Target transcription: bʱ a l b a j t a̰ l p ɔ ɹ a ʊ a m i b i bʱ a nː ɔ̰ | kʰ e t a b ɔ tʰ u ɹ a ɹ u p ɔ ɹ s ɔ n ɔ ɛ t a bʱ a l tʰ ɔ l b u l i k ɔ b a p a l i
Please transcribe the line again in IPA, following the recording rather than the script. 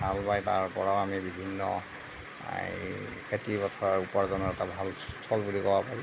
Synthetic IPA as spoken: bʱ a l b a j t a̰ ɹ p ɔ ɹ a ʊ a m i b i bʱ i nː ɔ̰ | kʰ e t i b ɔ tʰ ɔ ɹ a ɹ u p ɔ ɹ z ɔ n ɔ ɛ t a bʱ a l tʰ ɔ l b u l i k ɔ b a p a ɹ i